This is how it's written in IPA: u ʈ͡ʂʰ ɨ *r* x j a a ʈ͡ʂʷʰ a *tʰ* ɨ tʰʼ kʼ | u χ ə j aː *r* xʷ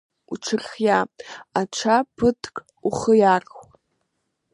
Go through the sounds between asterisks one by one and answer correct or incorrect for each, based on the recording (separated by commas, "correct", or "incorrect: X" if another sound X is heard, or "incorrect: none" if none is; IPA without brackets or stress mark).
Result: correct, incorrect: pʰ, correct